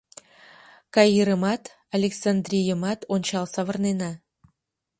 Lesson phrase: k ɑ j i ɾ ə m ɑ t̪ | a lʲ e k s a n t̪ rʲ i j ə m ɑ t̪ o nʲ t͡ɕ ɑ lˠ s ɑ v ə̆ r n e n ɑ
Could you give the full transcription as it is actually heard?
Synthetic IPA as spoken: k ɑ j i ɾ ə m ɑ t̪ | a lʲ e k s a n d̪ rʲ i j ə m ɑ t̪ o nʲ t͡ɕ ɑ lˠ s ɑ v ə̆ r n e n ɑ